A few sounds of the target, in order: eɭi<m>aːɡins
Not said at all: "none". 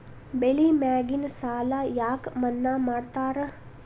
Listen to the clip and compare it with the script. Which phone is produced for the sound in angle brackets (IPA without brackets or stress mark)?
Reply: m